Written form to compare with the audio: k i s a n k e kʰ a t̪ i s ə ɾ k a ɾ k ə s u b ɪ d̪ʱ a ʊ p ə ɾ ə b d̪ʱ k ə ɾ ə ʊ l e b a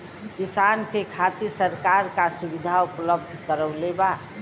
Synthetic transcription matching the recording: k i s a n k e kʰ a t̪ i s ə ɾ k a ɾ k a s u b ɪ d̪ʱ a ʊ p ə l ə b d̪ʱ k ə ɾ ə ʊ l e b a